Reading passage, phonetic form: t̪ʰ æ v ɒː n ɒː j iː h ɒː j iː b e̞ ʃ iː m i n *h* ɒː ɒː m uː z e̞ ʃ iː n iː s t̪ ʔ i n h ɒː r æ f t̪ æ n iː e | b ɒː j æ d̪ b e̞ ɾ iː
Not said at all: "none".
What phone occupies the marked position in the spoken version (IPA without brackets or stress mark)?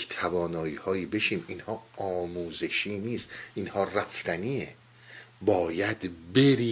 h